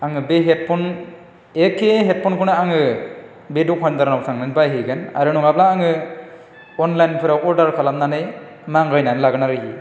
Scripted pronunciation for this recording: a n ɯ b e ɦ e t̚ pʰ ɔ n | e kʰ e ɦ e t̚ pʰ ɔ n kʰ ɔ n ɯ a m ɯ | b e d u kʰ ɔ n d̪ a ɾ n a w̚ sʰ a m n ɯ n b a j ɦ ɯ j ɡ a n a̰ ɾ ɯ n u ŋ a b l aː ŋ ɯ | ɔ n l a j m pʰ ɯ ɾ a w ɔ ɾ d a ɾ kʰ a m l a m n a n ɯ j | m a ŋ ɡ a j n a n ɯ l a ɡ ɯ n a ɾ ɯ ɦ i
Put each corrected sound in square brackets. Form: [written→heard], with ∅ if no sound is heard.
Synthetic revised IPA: a [n→ŋ] ɯ b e ɦ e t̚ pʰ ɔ n | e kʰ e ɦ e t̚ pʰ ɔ n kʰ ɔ n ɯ a [m→ŋ] ɯ | b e d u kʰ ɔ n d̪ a ɾ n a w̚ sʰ a [m→ŋ] n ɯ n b a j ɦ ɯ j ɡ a n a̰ ɾ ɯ n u ŋ a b l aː ŋ ɯ | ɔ n l a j [m→n] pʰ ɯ ɾ a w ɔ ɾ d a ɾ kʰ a [m→∅] l a m n a n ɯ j | m a ŋ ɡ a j n a n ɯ l a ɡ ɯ n a ɾ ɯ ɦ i